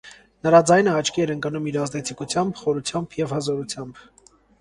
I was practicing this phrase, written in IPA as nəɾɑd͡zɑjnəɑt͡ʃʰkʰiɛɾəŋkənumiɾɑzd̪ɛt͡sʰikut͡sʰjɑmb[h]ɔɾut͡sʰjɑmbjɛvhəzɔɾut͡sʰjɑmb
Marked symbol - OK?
no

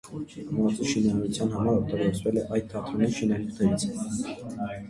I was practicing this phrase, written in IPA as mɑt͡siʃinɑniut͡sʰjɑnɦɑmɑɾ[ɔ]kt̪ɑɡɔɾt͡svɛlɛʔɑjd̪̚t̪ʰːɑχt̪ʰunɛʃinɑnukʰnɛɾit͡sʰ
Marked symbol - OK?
yes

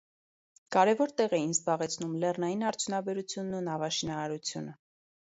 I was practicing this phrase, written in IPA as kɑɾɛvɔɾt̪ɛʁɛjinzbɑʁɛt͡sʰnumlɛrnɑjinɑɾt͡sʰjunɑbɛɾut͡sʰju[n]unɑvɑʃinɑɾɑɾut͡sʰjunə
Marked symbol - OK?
no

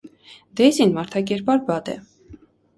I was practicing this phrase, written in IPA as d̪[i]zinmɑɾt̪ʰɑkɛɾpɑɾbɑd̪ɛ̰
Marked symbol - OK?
no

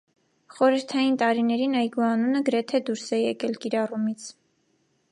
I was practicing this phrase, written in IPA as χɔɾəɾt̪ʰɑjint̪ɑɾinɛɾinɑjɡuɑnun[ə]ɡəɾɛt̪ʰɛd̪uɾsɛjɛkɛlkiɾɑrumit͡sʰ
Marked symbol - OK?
yes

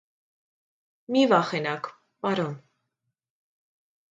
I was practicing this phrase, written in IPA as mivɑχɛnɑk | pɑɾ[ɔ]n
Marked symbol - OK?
yes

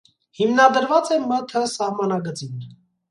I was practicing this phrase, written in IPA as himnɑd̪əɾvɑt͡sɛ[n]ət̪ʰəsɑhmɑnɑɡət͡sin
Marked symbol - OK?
no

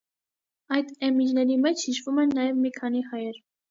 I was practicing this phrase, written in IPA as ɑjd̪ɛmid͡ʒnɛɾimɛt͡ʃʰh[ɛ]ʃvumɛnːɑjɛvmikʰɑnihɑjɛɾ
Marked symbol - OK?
no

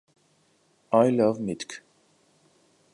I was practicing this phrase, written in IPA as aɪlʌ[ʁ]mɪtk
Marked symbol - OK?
no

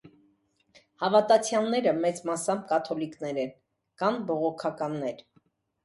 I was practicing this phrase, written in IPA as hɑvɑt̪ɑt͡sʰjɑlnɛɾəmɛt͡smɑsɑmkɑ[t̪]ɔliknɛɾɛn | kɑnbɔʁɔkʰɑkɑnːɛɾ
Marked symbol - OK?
no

